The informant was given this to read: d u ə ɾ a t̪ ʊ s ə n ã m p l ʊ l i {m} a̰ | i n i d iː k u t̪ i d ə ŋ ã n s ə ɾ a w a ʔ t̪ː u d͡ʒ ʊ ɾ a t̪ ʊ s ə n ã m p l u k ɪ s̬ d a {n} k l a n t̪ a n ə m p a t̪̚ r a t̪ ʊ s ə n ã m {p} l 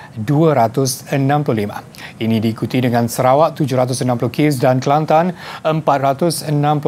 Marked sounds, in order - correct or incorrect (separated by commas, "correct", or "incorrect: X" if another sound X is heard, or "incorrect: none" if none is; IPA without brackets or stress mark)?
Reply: correct, correct, correct